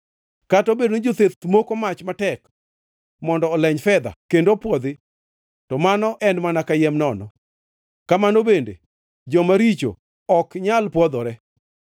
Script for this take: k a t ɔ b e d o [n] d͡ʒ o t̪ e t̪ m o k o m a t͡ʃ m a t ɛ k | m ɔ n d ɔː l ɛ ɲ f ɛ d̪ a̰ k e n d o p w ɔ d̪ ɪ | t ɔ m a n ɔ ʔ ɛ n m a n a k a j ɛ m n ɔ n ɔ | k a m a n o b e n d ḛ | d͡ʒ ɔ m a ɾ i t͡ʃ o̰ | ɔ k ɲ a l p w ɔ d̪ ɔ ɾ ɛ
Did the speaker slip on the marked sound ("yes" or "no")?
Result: no